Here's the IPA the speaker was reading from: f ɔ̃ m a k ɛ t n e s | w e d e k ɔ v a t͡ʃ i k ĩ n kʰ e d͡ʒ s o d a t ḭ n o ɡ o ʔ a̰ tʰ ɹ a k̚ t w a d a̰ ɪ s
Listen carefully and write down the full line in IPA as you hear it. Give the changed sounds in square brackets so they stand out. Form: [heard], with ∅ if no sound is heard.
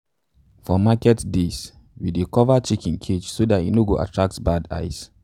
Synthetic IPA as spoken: f [ɔ] m a k ɛ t [d] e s | w [i] d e k ɔ v a t͡ʃ i k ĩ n kʰ e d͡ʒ s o d a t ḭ n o ɡ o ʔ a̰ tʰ ɹ a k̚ t [b] a d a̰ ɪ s